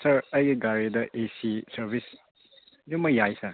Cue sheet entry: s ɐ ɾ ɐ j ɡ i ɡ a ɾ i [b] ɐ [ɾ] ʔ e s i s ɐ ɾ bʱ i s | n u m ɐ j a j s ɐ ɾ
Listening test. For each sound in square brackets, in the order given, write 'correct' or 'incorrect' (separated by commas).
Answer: incorrect, incorrect